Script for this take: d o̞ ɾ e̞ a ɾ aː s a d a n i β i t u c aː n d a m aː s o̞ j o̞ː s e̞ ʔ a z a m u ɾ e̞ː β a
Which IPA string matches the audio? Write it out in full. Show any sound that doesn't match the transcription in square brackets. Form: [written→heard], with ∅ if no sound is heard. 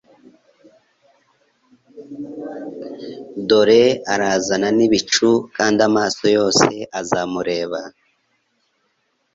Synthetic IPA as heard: d o̞ ɾ e̞ a ɾ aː [s→z] a [d→n] a n i β i [t→t͡ʃ] u [c→k] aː n d a m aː s o̞ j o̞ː s e̞ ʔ a z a m u ɾ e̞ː β a